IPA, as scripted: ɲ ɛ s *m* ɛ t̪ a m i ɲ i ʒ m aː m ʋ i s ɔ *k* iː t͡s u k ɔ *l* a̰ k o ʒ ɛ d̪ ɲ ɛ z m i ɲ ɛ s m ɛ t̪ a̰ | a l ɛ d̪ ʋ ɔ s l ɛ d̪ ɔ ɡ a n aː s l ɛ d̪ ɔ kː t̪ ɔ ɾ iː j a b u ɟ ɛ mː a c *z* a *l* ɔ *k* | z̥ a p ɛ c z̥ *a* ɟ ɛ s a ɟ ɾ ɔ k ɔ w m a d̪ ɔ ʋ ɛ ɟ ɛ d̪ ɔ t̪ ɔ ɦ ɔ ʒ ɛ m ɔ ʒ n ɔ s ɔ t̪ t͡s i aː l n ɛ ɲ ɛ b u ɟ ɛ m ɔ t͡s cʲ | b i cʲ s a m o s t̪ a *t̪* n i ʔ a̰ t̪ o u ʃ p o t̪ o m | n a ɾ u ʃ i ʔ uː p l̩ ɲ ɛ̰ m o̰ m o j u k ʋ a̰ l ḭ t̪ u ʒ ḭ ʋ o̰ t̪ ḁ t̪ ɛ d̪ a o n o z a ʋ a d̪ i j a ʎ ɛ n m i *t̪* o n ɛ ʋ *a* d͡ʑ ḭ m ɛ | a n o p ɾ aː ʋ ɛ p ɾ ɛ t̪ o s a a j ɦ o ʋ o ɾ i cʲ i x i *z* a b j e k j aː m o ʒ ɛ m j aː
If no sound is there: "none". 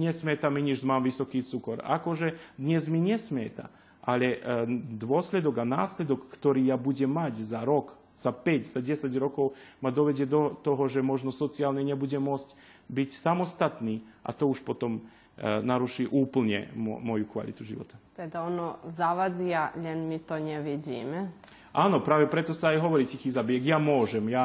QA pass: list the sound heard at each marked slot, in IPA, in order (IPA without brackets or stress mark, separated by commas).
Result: m, k, ɾ, z, ɾ, k, a, t̪, t̪, i, z